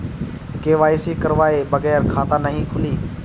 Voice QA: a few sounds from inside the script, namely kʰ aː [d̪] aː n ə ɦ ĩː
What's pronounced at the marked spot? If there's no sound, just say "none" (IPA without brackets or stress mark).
t̪